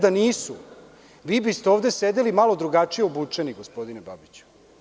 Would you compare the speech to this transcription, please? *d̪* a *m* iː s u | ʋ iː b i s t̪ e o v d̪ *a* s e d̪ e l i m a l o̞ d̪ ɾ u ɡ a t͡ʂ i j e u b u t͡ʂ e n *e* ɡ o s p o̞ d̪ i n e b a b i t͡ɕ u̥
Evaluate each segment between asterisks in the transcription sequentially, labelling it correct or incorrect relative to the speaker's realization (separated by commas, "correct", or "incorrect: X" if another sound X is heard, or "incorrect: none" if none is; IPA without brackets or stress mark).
correct, incorrect: n, incorrect: e, incorrect: i